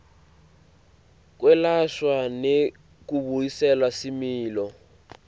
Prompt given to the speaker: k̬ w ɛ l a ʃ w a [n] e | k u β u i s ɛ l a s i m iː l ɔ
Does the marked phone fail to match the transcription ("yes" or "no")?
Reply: no